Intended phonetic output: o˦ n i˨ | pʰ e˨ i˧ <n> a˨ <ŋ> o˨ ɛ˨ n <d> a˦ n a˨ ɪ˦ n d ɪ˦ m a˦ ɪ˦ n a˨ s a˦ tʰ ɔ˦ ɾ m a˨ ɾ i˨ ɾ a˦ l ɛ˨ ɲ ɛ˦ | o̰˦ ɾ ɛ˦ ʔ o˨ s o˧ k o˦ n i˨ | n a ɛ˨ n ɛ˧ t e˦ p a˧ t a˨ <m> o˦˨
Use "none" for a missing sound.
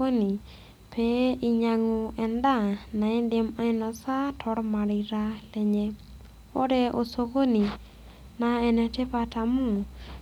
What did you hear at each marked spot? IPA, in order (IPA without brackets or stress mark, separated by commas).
ɲ, ŋ, d, m